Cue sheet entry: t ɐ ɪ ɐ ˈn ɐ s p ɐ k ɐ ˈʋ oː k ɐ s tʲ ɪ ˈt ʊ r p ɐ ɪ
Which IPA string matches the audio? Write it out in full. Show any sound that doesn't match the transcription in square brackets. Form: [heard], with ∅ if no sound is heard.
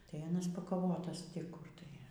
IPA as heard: t ɐ ɪ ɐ ˈn ɐ s p ɐ k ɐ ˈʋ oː [t] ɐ s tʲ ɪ [ˈk] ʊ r [t] ɐ ɪ